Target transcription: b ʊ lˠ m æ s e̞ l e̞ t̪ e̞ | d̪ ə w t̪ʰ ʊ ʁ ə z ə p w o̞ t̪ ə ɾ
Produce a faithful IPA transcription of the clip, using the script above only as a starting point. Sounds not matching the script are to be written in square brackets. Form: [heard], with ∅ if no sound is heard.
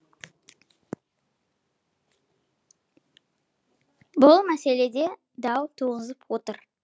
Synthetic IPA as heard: b ʊ lˠ m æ s e̞ l e̞ [d̪] e̞ | d̪ [ɑ] w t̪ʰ [u] ʁ ə z ə p w o̞ t̪ ə ɾ